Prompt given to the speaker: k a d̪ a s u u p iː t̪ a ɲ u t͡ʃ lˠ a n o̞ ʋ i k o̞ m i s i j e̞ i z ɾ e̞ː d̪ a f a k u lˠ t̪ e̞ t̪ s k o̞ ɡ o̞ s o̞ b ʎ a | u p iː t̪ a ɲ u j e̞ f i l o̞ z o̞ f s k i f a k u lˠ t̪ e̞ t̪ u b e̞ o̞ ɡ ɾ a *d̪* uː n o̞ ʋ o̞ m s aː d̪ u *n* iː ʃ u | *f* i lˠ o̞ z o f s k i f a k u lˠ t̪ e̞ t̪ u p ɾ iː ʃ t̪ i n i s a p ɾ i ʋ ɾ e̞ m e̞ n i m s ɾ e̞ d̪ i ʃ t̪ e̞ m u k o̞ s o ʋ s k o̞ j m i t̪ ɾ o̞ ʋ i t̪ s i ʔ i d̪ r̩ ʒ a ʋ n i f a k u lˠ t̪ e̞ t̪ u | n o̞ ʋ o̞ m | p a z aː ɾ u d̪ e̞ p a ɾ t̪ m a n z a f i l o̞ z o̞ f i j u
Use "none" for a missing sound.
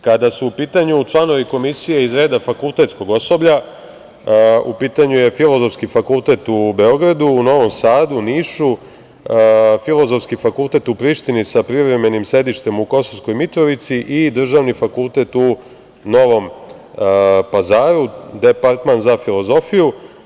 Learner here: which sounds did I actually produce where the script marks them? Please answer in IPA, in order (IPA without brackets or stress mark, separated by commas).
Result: d̪, n, f